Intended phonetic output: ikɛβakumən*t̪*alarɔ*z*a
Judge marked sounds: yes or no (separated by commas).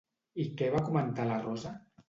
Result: yes, yes